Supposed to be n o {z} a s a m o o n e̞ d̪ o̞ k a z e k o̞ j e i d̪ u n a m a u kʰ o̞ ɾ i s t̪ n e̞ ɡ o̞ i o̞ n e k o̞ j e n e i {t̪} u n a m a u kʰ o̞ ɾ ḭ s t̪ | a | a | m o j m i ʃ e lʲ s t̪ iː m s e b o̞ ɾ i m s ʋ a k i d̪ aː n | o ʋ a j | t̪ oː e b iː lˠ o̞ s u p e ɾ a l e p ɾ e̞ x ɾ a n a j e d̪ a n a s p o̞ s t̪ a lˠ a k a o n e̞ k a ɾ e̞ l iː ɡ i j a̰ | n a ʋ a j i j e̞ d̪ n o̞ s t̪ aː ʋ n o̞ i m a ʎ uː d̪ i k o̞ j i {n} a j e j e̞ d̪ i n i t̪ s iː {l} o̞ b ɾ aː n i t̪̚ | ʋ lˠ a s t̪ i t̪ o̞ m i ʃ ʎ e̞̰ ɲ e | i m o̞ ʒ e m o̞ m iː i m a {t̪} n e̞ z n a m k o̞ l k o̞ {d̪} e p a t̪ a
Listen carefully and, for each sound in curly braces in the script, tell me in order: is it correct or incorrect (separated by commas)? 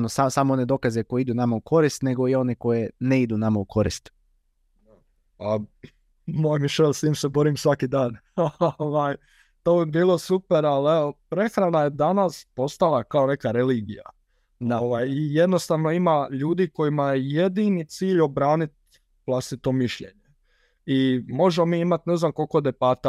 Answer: incorrect, incorrect, incorrect, incorrect, correct, correct